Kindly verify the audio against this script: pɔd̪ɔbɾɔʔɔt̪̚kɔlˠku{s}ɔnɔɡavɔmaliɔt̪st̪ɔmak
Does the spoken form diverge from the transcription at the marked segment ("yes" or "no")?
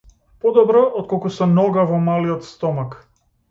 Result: no